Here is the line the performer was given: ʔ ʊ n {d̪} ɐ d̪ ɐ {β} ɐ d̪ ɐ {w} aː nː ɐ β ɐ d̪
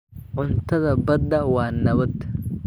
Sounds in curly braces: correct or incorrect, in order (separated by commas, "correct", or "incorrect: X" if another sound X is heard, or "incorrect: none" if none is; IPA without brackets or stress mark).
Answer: incorrect: t̪, incorrect: b, correct